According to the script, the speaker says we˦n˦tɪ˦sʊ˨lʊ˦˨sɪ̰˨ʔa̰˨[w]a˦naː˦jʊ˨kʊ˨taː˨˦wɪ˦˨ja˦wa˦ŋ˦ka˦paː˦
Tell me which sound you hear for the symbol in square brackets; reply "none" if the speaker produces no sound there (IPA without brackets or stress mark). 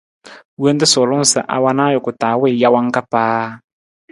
w